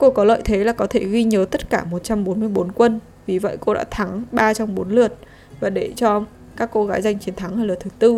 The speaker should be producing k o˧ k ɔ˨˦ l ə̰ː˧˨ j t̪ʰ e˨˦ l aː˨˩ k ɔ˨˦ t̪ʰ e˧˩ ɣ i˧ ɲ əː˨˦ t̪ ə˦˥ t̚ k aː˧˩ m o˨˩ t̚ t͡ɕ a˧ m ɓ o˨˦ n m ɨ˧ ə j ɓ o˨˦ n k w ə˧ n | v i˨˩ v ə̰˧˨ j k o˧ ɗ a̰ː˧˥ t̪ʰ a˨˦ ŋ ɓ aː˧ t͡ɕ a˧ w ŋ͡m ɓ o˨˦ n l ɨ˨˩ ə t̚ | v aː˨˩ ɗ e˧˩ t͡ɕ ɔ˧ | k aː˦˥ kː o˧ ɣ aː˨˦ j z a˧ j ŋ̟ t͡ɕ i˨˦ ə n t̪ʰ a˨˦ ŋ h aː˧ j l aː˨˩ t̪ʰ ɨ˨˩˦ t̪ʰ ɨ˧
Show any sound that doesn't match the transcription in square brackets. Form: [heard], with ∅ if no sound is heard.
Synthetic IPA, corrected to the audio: k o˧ k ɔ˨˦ l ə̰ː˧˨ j t̪ʰ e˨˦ l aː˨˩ k ɔ˨˦ t̪ʰ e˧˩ ɣ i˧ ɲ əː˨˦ t̪ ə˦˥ t̚ k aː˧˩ m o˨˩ t̚ t͡ɕ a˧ m ɓ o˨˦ n m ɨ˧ ə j ɓ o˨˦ n k w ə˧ n | v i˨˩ v ə̰˧˨ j k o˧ ɗ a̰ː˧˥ t̪ʰ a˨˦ ŋ ɓ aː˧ t͡ɕ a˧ w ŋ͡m ɓ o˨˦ n l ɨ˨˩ ə t̚ | v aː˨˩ ɗ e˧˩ t͡ɕ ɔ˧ | k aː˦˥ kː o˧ ɣ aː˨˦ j z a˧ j ŋ̟ t͡ɕ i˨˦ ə n t̪ʰ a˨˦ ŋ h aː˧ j l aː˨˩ t̪ʰ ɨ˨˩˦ [t̪] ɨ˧